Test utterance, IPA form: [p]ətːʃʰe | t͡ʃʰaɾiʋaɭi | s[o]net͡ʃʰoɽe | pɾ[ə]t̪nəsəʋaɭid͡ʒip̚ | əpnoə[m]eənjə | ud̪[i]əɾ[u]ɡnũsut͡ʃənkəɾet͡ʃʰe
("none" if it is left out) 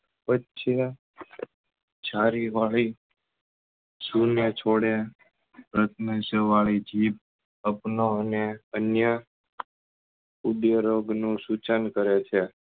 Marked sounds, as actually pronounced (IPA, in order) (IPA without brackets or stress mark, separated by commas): p, u, ə, n, j, o